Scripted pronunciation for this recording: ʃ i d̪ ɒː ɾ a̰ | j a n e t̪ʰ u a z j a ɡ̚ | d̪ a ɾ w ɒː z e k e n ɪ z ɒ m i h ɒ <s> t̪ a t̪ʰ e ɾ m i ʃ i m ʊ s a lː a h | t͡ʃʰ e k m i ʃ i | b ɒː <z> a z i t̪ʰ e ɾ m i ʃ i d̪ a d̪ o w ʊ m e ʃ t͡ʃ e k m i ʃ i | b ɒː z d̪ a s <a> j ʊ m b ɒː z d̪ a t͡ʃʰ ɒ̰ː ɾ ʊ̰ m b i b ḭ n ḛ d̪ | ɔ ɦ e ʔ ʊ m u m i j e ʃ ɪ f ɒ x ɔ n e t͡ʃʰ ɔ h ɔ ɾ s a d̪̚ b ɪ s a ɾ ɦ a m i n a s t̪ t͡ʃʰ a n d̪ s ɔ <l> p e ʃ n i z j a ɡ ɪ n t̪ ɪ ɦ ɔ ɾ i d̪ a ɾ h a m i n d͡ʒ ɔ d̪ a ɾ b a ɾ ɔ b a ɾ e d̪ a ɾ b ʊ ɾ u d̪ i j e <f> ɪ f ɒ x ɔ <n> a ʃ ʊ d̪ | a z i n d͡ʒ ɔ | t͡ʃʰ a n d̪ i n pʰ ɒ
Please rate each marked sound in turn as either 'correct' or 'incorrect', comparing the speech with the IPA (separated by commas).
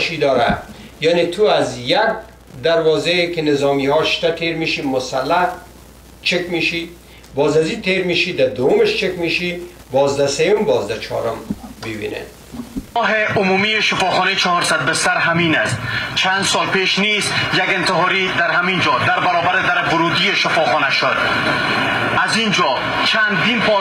incorrect, correct, incorrect, correct, incorrect, correct